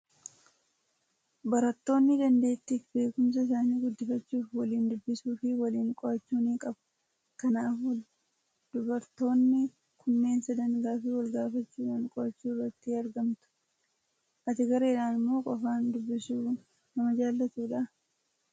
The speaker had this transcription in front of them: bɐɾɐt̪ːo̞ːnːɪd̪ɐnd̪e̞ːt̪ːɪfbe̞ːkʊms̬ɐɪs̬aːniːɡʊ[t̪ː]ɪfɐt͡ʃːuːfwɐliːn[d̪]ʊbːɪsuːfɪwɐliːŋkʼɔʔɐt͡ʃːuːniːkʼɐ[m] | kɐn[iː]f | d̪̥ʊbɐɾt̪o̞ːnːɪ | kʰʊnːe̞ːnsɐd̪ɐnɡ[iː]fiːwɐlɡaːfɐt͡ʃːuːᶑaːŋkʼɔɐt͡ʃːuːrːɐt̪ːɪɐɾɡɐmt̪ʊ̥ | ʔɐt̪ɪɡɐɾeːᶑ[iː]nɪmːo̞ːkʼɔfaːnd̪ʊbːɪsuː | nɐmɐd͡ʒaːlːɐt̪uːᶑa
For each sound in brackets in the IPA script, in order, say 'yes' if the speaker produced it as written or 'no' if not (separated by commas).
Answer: no, yes, no, no, no, no